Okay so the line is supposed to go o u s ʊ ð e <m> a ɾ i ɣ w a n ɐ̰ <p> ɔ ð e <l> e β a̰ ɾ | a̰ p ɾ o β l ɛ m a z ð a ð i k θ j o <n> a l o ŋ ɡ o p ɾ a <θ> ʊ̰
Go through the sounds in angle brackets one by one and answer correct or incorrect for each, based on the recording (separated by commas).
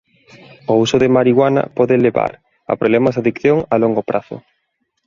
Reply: correct, correct, correct, incorrect, correct